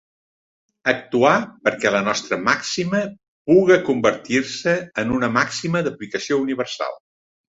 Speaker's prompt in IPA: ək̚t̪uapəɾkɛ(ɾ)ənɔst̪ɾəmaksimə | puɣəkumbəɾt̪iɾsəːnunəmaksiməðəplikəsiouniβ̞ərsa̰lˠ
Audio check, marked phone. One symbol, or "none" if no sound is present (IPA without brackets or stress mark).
l